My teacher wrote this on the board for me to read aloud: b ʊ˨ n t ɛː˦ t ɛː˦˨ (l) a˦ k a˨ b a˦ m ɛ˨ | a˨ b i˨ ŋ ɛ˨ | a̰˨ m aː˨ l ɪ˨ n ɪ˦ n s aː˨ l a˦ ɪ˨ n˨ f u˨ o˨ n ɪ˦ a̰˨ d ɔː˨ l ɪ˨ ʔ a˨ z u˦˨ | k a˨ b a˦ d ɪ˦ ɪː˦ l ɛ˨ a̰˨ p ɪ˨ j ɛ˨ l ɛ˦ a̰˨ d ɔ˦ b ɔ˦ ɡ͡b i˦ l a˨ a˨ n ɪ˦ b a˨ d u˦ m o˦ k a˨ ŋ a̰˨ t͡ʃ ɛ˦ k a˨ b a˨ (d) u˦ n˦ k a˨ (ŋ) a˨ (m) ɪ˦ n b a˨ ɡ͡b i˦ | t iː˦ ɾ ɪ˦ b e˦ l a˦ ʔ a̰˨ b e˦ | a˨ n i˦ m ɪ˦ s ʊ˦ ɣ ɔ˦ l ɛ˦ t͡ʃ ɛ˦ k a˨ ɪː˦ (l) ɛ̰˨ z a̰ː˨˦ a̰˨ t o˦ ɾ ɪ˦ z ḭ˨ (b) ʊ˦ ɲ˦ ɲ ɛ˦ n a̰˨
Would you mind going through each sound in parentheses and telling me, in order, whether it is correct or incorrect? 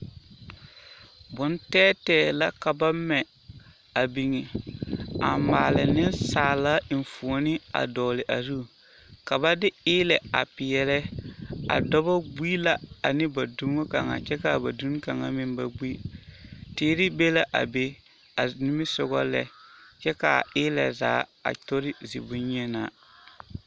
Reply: correct, correct, correct, correct, correct, correct

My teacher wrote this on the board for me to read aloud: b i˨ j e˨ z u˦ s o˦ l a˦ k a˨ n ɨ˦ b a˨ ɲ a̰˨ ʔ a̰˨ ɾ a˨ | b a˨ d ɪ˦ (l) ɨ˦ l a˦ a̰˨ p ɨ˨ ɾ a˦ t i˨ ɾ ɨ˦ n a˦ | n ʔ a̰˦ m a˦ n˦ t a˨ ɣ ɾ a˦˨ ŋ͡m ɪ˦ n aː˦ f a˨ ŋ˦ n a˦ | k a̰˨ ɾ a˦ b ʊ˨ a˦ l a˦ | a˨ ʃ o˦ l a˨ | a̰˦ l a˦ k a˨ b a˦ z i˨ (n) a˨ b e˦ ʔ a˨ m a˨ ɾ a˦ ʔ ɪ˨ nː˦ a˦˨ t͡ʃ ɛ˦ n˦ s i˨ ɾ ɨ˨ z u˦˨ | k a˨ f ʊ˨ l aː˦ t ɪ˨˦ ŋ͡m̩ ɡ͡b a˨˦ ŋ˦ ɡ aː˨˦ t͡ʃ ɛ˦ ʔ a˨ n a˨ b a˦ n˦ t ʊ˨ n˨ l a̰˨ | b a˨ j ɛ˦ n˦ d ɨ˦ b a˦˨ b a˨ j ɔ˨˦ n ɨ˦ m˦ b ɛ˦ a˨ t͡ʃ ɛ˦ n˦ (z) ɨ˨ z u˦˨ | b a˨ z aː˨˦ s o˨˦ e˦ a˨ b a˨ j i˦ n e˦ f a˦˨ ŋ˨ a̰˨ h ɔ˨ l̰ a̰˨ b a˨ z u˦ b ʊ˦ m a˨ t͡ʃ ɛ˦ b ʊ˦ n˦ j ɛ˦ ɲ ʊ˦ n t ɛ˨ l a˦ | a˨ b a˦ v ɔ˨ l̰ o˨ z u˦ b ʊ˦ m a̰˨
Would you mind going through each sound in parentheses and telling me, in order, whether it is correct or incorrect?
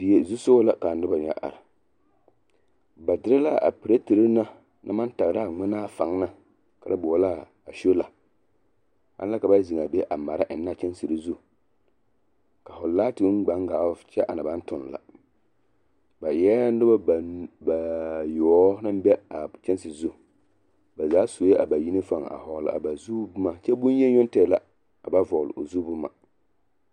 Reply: incorrect: ɾ, incorrect: ŋ, incorrect: s

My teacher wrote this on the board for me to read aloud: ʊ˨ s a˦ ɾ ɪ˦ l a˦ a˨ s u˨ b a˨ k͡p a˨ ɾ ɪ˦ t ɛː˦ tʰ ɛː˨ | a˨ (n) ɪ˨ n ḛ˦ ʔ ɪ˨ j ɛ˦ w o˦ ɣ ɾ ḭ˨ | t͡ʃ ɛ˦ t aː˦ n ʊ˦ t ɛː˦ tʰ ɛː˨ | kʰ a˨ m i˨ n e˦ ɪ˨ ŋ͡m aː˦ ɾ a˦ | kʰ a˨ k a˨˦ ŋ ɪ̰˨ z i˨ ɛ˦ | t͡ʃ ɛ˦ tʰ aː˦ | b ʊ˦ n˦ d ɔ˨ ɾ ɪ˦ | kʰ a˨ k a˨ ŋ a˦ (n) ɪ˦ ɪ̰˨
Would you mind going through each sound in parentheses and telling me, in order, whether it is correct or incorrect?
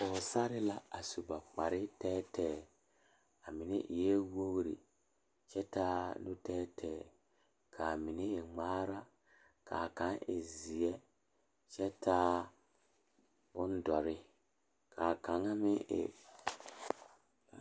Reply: incorrect: m, incorrect: m

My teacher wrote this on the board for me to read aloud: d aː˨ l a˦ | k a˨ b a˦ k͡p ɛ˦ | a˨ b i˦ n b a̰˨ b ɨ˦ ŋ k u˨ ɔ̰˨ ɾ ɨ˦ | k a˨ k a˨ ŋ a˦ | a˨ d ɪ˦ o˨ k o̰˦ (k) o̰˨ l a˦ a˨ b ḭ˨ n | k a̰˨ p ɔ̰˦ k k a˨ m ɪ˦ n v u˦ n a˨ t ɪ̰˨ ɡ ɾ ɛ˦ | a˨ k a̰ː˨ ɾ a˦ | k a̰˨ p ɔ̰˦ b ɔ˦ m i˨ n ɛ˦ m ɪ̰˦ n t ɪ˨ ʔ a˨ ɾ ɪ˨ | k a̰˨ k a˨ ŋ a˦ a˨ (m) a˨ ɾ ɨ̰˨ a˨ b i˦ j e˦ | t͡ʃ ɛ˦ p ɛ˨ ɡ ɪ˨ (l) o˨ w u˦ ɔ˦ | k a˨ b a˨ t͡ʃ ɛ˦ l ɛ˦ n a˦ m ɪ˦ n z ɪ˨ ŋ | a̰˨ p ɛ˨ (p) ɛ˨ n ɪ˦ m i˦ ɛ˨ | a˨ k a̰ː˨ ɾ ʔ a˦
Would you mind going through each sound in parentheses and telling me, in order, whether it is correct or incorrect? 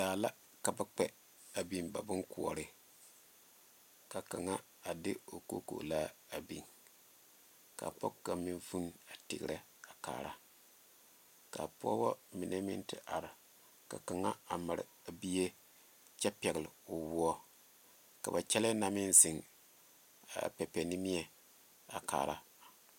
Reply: correct, correct, correct, correct

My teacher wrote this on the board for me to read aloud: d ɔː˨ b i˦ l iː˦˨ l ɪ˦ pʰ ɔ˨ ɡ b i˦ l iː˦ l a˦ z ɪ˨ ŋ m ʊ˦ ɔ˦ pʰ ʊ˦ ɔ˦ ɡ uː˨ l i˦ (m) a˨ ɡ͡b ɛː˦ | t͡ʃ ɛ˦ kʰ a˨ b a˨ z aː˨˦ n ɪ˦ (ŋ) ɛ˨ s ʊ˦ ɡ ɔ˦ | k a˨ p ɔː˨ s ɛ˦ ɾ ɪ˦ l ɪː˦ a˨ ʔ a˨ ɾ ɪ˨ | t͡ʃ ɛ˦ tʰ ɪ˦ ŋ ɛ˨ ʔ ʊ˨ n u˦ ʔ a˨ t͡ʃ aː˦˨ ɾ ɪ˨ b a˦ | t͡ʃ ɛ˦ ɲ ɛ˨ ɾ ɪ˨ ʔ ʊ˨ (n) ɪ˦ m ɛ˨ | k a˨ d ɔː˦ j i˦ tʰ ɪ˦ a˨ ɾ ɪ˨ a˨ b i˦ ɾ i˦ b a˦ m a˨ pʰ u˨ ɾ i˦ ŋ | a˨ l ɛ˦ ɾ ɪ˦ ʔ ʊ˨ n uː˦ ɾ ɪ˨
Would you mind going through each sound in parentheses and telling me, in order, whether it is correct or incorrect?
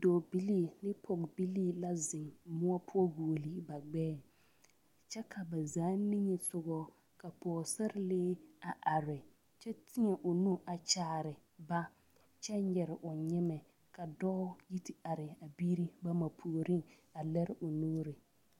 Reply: incorrect: b, incorrect: ɲ, incorrect: ɲ

